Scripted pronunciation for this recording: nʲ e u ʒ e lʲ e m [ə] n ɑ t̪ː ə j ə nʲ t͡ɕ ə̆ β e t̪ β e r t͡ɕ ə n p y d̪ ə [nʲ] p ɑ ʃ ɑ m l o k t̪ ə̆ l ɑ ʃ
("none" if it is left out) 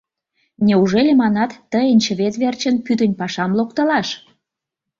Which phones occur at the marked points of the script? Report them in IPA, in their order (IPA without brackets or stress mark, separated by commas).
ɑ, nʲ